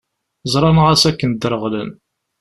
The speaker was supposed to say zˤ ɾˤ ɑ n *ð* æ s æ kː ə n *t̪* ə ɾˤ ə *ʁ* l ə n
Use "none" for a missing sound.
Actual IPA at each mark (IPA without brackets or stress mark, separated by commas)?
ʁ, d̪, ʁ